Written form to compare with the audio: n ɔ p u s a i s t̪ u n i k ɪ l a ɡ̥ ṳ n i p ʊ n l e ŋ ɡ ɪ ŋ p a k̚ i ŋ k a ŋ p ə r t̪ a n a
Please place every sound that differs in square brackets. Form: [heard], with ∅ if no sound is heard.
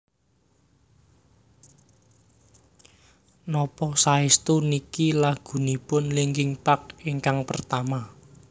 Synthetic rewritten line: n ɔ p [ɔ] s a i s t̪ u n i k [i] l a ɡ̥ ṳ n i p ʊ n l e ŋ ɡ ɪ ŋ p a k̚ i ŋ k a ŋ p ə r t̪ a [m] a